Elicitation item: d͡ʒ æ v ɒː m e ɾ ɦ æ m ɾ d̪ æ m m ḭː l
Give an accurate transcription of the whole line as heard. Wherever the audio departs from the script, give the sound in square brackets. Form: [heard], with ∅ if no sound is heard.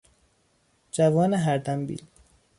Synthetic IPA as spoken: d͡ʒ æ v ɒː [n] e [∅] ɦ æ [∅] ɾ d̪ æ m [b] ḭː l

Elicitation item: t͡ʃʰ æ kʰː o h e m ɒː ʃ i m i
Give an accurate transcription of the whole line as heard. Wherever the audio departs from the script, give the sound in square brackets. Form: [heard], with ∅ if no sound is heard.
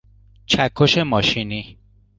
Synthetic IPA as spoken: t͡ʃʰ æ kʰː o [ʃ] e m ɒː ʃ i [n] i

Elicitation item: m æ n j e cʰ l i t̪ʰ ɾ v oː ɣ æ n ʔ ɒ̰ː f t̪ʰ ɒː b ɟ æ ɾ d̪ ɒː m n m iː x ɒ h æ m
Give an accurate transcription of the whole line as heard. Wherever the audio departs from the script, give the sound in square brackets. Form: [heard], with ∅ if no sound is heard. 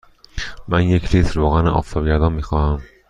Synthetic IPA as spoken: m æ n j e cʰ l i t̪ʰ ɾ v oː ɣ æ n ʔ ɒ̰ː f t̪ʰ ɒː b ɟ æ ɾ d̪ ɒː [∅] n m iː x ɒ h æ m

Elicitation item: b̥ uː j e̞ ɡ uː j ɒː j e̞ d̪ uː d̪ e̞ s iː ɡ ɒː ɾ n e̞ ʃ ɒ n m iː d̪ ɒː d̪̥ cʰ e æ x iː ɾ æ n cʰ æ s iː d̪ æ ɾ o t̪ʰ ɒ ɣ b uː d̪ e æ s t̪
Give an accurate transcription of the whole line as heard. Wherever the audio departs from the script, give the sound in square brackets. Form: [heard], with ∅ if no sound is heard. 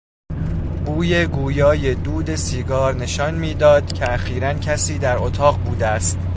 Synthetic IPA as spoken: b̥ uː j e̞ ɡ uː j ɒː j e̞ d̪ uː d̪ e̞ s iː ɡ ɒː ɾ n e̞ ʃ ɒ n m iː d̪ ɒː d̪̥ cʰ e æ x iː ɾ æ n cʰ æ s iː d̪ æ ɾ o t̪ʰ [ɒː] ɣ b uː d̪ e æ s t̪

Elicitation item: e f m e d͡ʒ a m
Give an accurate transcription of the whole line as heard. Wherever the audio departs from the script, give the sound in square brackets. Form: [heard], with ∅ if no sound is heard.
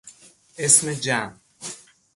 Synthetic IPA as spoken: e [s] m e d͡ʒ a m

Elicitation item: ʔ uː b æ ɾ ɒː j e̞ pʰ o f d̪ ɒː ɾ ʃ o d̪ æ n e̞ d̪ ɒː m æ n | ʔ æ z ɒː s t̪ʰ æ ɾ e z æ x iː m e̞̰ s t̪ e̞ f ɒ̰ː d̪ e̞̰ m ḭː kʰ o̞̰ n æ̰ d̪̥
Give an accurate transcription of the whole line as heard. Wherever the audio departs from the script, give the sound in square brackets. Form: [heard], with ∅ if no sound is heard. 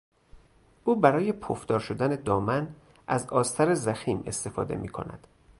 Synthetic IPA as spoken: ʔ uː b æ ɾ ɒː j e̞ pʰ o f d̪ ɒː ɾ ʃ o d̪ æ n e̞ d̪ ɒː m æ n | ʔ æ z ɒː s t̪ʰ æ ɾ e z æ x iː m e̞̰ s t̪ e̞ f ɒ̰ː d̪ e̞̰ m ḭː kʰ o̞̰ n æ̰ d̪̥

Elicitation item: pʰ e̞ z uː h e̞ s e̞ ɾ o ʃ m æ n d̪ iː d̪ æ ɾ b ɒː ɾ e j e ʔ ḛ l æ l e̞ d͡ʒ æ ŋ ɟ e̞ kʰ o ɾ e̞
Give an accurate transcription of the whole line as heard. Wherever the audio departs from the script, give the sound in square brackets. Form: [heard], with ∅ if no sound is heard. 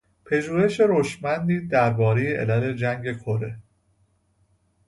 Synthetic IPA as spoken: pʰ e̞ [ʒ] uː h e̞ [ʃ] e̞ ɾ o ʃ m æ n d̪ iː d̪ æ ɾ b ɒː ɾ e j e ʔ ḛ l æ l e̞ d͡ʒ æ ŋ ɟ e̞ kʰ o ɾ e̞

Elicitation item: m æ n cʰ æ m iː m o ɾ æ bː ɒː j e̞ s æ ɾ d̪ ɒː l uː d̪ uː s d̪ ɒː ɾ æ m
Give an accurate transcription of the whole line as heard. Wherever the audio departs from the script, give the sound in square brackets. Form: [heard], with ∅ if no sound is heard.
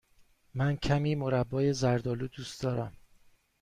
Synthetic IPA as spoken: m æ n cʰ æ m iː m o ɾ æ bː ɒː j e̞ [z] æ ɾ d̪ ɒː l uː d̪ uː s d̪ ɒː ɾ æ m

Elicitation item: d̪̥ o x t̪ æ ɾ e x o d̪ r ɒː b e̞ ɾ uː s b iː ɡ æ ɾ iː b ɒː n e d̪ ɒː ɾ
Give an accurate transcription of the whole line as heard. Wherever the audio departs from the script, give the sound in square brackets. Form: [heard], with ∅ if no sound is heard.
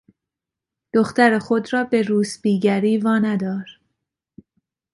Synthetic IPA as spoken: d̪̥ o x t̪ æ ɾ e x o d̪ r ɒː b e̞ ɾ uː s b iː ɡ æ ɾ iː [v] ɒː n [æ] d̪ ɒː ɾ

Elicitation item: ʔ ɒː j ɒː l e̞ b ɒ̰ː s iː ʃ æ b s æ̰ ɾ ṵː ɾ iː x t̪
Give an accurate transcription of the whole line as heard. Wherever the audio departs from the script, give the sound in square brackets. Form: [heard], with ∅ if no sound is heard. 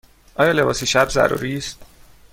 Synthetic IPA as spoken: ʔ ɒː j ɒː l e̞ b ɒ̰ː s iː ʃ æ b [z] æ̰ ɾ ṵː ɾ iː [s] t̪

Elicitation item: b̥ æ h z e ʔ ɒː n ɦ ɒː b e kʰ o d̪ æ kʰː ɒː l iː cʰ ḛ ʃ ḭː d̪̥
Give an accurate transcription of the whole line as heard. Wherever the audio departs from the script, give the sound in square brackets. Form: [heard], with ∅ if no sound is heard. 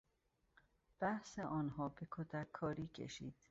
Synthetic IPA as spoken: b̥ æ h [s] e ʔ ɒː n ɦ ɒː b e kʰ o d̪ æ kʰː ɒː [ɾ] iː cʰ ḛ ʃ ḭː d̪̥

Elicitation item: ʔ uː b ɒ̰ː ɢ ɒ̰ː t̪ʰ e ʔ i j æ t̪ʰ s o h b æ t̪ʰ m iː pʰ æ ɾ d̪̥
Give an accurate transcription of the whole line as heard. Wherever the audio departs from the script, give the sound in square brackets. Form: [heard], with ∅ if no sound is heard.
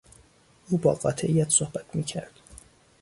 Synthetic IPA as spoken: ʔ uː b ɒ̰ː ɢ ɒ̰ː t̪ʰ e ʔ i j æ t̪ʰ s o h b æ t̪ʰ m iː [cʰ] æ ɾ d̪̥

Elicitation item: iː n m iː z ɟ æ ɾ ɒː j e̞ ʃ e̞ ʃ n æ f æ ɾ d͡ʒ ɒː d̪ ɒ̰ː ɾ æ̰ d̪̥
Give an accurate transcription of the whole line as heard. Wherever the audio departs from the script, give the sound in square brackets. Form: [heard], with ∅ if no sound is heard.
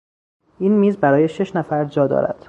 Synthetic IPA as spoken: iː n m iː z [b] æ ɾ ɒː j e̞ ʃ e̞ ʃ n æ f æ ɾ d͡ʒ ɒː d̪ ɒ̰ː ɾ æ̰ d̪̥

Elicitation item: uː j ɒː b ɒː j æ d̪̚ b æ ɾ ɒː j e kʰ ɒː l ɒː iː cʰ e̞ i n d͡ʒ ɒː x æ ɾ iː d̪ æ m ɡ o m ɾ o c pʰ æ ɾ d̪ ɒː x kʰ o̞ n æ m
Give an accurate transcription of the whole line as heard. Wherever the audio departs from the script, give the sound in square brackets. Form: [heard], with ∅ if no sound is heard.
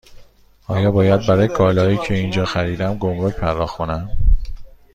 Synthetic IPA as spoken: [ɒː] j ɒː b ɒː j æ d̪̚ b æ ɾ ɒː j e kʰ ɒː l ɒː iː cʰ e̞ i n d͡ʒ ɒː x æ ɾ iː d̪ æ m ɡ o m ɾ o c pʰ æ ɾ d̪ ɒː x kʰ o̞ n æ m

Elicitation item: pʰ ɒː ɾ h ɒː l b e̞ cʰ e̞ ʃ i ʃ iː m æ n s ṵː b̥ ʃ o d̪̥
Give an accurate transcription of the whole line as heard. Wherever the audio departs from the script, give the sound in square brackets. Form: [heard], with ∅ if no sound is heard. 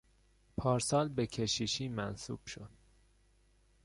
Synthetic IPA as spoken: pʰ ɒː ɾ [s] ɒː l b e̞ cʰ e̞ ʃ i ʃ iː m æ n s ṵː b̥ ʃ o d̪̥

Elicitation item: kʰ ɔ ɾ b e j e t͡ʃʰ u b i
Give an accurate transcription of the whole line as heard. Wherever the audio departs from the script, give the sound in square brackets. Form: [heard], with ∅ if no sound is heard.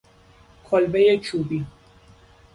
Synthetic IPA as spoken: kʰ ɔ [l] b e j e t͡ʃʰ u b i

